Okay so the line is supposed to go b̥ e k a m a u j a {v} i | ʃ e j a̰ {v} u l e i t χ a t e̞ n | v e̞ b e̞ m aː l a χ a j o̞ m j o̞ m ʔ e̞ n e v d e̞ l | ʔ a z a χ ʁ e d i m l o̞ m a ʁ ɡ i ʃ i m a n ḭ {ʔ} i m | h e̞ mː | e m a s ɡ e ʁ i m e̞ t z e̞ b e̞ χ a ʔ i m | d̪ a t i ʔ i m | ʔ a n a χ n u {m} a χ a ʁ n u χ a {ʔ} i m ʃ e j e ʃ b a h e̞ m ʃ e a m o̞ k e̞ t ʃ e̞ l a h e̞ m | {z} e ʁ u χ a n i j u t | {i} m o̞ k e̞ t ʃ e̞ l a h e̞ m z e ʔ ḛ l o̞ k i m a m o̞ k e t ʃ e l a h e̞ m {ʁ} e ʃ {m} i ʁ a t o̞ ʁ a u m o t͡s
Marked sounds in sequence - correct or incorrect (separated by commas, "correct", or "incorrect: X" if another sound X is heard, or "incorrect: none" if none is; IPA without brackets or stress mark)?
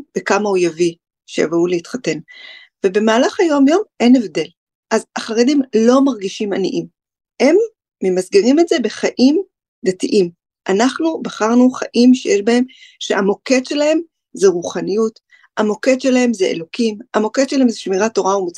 correct, correct, correct, incorrect: b, correct, correct, incorrect: a, incorrect: z, correct